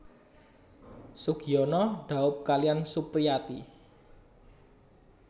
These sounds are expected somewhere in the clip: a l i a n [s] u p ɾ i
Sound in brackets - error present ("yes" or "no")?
no